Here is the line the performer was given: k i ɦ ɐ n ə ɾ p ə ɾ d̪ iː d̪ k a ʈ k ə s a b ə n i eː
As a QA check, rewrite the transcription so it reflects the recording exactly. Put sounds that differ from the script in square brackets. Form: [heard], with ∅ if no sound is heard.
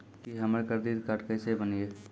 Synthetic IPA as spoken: k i ɦ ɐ [m] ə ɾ [k] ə ɾ d̪ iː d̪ k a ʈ k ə s [e] b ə n i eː